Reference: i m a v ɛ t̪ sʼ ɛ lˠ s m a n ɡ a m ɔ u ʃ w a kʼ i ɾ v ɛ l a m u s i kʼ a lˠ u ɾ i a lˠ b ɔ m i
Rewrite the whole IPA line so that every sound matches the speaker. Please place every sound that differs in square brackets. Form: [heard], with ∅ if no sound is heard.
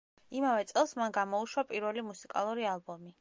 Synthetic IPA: i m a v ɛ t̪ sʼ ɛ lˠ s m a n ɡ a m ɔ u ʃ w a [pʼ] i ɾ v ɛ l [i] m u s i kʼ a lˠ u ɾ i a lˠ b ɔ m i

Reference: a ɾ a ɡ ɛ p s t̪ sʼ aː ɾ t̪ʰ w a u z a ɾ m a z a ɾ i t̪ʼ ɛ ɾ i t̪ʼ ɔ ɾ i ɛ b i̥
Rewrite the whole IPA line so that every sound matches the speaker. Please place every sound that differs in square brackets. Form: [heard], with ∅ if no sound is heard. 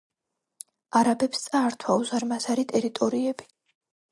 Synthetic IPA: a ɾ a [b] ɛ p s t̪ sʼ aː ɾ t̪ʰ w a u z a ɾ m a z a ɾ i t̪ʼ ɛ ɾ i t̪ʼ ɔ ɾ i ɛ b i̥

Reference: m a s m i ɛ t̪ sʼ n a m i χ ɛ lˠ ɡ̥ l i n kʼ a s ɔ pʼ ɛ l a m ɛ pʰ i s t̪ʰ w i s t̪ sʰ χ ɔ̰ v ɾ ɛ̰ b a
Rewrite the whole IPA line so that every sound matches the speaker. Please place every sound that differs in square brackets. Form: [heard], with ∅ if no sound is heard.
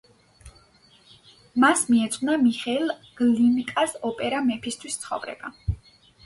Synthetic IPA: m a s m i ɛ t̪ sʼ n a m i χ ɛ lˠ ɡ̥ l i n kʼ a s ɔ pʼ ɛ [ɾ] a m ɛ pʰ i s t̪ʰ w i s t̪ sʰ χ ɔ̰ v ɾ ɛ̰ b a

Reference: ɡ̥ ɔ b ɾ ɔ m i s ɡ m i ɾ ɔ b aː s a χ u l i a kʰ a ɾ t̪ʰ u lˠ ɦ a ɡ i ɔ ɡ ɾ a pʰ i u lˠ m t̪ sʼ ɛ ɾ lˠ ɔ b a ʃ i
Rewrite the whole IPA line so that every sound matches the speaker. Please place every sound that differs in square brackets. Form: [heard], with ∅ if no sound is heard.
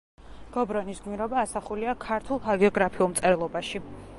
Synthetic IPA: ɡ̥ ɔ b ɾ ɔ [n] i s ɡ m i ɾ ɔ b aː s a χ u l i a kʰ a ɾ t̪ʰ u lˠ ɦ a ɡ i ɔ ɡ ɾ a pʰ i u lˠ m t̪ sʼ ɛ ɾ lˠ ɔ b a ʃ i

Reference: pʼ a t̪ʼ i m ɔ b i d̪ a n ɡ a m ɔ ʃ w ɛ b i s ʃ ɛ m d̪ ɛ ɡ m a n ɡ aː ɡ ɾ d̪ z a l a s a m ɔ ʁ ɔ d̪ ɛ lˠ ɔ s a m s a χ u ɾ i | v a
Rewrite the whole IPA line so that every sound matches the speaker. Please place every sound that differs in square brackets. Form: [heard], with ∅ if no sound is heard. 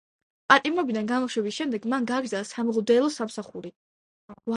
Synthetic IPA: pʼ a t̪ʼ i m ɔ b i d̪ a n ɡ a m ɔ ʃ w ɛ b i s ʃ ɛ m d̪ ɛ ɡ m a n ɡ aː ɡ ɾ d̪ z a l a s a m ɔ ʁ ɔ d̪ ɛ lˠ ɔ s a m s a χ u ɾ i | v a

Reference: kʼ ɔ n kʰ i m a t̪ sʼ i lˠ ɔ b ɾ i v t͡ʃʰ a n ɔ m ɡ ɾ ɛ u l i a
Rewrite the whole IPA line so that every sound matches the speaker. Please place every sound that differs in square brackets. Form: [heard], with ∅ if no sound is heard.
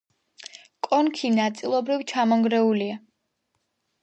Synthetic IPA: kʼ ɔ n kʰ i [n] a t̪ sʼ i lˠ ɔ b ɾ i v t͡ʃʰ a [m] ɔ [ŋ] ɡ ɾ ɛ u l i a

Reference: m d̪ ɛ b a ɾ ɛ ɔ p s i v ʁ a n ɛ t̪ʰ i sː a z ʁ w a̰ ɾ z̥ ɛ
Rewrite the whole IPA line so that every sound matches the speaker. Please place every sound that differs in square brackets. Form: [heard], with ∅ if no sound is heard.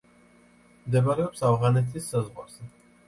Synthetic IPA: m d̪ ɛ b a ɾ ɛ ɔ p s [a] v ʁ a n ɛ t̪ʰ i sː a z ʁ w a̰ ɾ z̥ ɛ

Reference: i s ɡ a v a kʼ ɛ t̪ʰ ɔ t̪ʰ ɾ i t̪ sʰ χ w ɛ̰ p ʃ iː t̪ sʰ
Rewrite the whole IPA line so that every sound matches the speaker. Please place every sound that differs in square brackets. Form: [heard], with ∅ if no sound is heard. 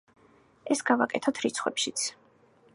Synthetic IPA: [ɛ] s ɡ a v a kʼ ɛ t̪ʰ ɔ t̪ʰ ɾ i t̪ sʰ χ w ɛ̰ p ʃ [i] t̪ sʰ

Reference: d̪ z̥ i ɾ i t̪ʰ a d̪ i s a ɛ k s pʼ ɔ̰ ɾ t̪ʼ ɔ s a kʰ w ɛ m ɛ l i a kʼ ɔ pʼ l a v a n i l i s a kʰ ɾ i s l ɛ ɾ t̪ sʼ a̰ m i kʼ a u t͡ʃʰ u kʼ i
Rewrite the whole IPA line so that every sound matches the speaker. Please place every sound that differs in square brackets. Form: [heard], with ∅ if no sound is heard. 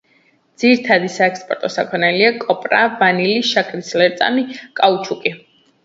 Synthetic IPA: d̪ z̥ i ɾ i t̪ʰ a d̪ i s a ɛ k s pʼ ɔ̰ ɾ t̪ʼ ɔ s a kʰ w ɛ [n] ɛ l i a kʼ ɔ pʼ [ɾ] a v a n i l i [ʃ] a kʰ ɾ i s l ɛ ɾ t̪ sʼ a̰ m i kʼ a u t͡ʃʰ u kʼ i

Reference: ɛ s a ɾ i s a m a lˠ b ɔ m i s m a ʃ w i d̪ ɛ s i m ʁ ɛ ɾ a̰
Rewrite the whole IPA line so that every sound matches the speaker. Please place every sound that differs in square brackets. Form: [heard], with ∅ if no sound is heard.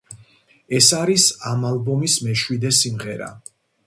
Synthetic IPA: ɛ s a ɾ i s a m a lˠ b ɔ m i s m [ɛ] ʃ w i d̪ ɛ s i m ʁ ɛ ɾ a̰

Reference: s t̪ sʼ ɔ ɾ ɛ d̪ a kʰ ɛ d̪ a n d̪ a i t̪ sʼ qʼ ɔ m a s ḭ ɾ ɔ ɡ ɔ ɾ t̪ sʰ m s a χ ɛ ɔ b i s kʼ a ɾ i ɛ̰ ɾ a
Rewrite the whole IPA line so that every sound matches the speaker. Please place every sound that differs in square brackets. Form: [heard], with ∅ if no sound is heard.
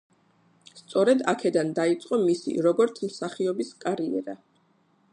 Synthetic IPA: s t̪ sʼ ɔ ɾ ɛ d̪ a kʰ ɛ d̪ a n d̪ a i t̪ sʼ qʼ ɔ m [i] s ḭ ɾ ɔ ɡ ɔ ɾ t̪ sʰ m s a χ [i] ɔ b i s kʼ a ɾ i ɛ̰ ɾ a

